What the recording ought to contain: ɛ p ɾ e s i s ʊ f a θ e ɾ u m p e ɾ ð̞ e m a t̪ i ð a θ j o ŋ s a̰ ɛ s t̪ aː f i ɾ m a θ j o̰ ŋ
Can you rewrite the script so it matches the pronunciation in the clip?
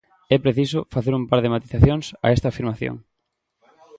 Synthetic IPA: ɛ p ɾ e θ i s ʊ f a θ e ɾ u m p a ɾ ð̞ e m a t̪ i θ a θ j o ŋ s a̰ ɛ s t̪ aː f i ɾ m a θ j o̰ ŋ